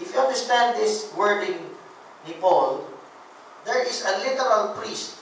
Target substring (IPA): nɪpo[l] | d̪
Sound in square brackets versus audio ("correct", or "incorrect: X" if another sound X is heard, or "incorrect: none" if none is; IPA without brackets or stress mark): correct